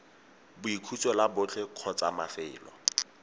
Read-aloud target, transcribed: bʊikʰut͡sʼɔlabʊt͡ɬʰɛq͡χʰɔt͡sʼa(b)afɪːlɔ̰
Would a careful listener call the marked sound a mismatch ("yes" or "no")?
yes